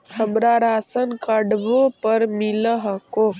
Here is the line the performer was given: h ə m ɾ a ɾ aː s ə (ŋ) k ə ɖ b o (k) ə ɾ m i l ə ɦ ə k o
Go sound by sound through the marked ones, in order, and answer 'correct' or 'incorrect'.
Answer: incorrect: n, incorrect: p

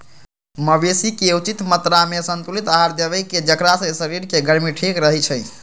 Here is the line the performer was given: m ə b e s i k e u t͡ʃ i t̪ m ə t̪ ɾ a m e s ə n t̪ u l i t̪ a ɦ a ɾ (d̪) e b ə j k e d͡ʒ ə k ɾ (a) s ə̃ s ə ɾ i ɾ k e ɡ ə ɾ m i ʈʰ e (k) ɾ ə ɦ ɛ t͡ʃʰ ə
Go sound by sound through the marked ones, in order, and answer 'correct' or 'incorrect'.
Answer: correct, correct, correct

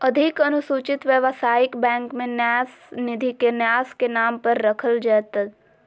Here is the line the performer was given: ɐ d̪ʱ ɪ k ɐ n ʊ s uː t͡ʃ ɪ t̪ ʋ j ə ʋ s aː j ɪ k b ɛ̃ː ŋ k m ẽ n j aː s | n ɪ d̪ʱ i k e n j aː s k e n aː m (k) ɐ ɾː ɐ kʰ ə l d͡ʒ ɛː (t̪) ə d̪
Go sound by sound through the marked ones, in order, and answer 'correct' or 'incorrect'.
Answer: incorrect: p, correct

